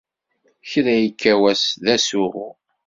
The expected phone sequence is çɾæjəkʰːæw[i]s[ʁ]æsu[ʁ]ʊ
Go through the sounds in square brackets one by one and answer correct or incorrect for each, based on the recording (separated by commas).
incorrect, incorrect, correct